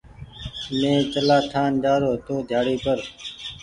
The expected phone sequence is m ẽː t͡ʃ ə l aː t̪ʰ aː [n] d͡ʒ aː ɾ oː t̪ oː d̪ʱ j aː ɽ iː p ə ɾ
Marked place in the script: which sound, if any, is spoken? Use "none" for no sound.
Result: n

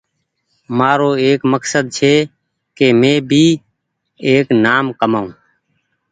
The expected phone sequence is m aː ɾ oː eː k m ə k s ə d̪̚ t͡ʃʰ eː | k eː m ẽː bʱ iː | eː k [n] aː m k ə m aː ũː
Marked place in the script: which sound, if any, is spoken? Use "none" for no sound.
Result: n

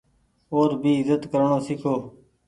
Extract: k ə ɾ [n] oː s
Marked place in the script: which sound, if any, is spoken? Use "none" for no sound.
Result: ɳ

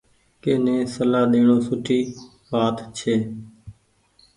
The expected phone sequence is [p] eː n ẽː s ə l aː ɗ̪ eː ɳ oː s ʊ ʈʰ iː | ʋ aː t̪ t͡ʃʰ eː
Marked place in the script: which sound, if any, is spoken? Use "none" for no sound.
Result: k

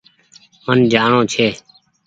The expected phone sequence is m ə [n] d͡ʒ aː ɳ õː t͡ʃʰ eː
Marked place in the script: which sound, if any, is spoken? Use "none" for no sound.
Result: n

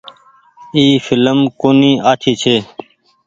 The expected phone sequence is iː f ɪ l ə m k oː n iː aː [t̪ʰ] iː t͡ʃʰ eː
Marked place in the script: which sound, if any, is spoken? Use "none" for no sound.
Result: t̪ʰ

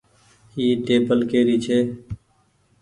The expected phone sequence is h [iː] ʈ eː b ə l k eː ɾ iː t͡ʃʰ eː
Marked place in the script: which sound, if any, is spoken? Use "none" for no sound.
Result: iː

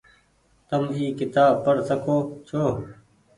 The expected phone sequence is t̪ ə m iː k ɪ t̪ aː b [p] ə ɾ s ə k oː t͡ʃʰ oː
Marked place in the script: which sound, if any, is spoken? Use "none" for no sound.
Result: p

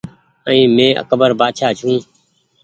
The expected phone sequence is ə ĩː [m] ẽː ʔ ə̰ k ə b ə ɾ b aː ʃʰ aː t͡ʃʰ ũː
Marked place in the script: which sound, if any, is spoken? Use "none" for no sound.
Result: m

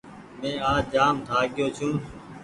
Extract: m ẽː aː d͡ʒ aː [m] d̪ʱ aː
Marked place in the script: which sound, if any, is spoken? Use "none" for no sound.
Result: m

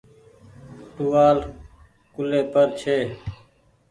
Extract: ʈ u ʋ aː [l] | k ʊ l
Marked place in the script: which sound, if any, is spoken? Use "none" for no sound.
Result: l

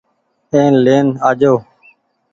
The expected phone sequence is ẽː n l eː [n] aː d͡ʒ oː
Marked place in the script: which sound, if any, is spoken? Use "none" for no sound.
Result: n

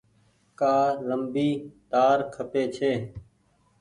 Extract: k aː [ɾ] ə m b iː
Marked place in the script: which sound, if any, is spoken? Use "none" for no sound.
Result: l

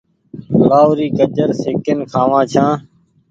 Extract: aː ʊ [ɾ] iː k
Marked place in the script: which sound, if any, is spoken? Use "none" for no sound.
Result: ɾ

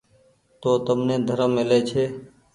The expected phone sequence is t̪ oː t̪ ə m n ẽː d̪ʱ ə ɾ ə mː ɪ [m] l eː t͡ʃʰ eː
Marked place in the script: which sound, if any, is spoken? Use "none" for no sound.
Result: none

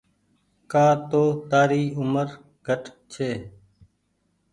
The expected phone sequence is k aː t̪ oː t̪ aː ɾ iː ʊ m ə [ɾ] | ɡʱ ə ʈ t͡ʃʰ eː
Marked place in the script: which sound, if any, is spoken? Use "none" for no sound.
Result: ɾ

